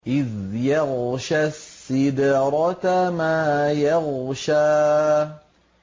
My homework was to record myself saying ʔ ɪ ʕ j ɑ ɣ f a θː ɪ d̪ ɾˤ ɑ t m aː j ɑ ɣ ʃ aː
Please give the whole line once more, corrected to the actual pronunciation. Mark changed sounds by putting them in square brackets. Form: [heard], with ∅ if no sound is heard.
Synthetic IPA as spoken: ʔ ɪ [ð] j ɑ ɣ [ʃ] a [sː] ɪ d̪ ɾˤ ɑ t m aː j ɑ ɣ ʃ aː